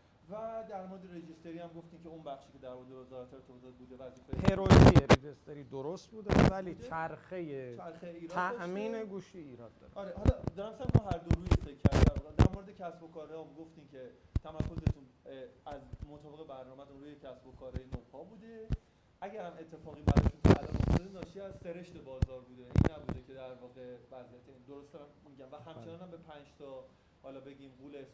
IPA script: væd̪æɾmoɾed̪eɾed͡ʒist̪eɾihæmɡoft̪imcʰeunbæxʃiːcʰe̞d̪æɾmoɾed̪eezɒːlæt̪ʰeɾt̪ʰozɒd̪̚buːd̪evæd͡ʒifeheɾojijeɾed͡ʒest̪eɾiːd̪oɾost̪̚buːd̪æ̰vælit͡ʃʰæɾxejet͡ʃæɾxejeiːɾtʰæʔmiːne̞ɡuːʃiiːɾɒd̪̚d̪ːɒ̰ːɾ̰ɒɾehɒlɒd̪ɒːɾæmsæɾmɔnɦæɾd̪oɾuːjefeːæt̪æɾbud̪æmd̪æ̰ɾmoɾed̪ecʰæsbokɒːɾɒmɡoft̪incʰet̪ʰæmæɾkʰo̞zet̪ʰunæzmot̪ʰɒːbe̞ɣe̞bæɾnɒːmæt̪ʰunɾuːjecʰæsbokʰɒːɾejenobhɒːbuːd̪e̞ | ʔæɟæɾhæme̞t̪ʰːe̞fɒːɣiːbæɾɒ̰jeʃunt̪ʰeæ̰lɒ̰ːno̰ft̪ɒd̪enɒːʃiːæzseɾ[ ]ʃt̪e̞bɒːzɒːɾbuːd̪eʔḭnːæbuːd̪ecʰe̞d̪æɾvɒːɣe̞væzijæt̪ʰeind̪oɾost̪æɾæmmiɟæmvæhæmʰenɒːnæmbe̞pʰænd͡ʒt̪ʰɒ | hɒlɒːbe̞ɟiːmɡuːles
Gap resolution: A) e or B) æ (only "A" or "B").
A